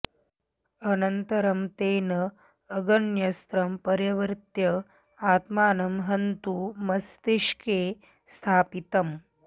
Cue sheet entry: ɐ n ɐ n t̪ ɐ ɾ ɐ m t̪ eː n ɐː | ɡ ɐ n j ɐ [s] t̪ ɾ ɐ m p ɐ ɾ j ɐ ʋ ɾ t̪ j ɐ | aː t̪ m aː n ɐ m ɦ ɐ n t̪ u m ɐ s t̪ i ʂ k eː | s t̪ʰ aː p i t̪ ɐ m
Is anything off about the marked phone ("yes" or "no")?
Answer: no